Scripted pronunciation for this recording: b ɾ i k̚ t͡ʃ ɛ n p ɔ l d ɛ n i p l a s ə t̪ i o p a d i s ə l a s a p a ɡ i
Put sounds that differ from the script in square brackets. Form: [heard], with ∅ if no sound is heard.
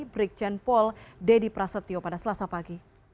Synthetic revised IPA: b ɾ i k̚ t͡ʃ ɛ n p ɔ l d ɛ [d] i p [ɾ] a s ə t̪ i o p a d [a] s ə l a s a p a ɡ i